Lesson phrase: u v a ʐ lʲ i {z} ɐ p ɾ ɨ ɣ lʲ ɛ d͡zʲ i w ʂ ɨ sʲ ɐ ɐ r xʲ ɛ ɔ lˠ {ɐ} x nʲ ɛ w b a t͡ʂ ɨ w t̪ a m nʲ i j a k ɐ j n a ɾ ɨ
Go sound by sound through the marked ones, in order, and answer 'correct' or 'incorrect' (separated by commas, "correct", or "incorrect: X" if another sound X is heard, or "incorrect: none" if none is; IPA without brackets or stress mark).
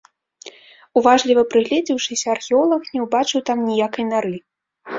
incorrect: v, correct